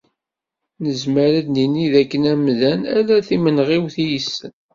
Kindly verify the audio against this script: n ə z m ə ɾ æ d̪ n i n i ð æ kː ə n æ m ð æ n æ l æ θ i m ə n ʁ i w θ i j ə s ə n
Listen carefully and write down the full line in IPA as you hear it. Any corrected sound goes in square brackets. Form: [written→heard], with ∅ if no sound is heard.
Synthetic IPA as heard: n ə z m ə ɾ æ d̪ n i n i ð æ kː ə n æ m ð æ n æ l æ θ i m ə n ʁ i w θ i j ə s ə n